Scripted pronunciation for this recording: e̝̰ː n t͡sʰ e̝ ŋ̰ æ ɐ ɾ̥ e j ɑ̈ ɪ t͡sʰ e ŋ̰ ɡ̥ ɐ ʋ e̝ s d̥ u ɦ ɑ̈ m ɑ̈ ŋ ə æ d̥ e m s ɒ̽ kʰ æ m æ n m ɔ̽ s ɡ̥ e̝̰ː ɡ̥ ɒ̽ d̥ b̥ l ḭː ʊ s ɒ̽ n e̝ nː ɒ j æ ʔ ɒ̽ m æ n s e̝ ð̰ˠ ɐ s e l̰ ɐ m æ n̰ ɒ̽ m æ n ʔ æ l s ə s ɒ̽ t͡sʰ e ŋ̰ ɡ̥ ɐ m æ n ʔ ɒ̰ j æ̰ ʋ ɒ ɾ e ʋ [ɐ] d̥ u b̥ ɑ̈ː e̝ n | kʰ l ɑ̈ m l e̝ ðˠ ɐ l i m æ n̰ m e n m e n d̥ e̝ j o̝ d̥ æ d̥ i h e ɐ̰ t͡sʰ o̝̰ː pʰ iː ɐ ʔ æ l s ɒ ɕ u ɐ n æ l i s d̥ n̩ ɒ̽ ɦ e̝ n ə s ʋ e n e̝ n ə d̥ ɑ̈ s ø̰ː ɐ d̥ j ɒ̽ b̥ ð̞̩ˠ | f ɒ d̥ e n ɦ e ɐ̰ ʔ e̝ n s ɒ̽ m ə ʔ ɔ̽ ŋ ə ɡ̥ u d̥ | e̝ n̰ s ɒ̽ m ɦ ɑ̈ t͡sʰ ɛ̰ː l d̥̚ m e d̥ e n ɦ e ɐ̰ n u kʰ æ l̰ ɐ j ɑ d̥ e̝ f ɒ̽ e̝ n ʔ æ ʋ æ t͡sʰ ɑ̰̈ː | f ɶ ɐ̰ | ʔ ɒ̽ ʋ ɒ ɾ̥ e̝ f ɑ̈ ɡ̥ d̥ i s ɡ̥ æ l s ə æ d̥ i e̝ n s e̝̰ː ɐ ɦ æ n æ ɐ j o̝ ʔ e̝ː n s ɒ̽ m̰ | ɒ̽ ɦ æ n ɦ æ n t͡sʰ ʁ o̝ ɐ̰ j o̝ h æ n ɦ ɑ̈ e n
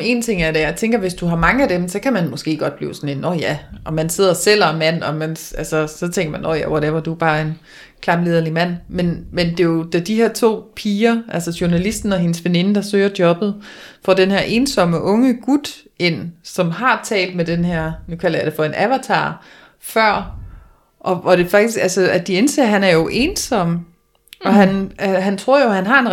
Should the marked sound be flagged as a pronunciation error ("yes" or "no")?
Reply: no